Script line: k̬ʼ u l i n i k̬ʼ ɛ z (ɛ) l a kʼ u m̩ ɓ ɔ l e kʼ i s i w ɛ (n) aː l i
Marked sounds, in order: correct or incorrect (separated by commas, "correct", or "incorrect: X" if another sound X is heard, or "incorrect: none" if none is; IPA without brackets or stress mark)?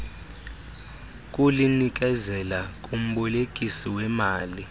correct, incorrect: m